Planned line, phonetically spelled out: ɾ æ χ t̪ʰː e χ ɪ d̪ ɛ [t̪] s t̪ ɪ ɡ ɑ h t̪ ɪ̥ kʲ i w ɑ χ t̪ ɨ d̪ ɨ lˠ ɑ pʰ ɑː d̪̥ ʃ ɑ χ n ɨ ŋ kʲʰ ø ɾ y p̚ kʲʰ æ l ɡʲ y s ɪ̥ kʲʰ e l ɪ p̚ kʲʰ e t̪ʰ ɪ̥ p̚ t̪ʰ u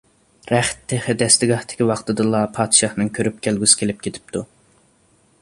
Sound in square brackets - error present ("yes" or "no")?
yes